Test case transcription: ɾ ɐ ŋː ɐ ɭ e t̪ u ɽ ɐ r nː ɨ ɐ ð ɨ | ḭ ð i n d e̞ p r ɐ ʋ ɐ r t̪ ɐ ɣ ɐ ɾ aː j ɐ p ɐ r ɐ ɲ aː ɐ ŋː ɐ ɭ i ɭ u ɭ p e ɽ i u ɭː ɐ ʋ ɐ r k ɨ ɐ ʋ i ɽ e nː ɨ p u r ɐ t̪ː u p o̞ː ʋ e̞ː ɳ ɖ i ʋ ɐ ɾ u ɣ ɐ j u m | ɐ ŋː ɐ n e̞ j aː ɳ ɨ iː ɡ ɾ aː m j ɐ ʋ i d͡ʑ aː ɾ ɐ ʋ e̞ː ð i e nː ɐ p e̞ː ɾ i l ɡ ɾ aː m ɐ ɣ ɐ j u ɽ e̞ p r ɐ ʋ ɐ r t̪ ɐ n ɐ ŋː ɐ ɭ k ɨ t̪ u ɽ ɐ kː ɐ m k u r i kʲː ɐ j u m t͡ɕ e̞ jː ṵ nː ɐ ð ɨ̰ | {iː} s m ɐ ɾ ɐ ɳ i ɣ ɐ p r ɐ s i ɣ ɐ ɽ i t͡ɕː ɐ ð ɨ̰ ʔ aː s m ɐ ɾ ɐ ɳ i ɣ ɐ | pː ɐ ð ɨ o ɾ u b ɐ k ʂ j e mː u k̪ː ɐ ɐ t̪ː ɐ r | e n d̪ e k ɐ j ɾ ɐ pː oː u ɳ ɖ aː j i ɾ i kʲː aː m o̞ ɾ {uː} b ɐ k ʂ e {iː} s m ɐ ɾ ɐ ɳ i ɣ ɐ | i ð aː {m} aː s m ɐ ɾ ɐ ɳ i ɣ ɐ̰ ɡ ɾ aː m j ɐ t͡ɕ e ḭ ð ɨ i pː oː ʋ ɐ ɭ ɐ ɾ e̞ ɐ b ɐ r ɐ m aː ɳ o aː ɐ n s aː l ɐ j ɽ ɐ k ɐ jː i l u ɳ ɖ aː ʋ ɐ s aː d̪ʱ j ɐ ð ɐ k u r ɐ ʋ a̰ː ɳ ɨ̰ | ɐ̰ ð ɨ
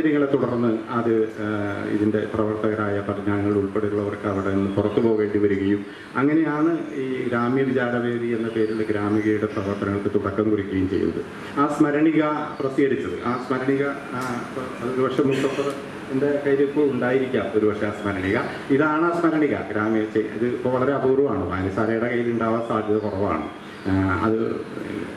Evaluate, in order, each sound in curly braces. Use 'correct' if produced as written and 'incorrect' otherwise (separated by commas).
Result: incorrect, incorrect, incorrect, incorrect